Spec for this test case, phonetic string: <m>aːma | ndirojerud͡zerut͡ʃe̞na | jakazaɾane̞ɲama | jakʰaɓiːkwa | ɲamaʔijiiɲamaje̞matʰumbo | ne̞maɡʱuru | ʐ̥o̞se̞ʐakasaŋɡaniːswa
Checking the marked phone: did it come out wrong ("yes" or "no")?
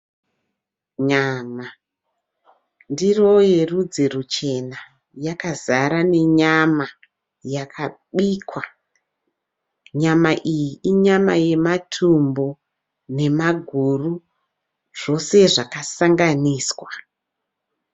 yes